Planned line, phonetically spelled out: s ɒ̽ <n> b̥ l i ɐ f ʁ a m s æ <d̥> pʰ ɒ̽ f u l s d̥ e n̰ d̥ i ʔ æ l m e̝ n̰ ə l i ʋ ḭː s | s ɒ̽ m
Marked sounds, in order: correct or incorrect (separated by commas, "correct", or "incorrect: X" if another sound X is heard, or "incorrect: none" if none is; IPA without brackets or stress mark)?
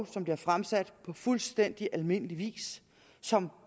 incorrect: m, correct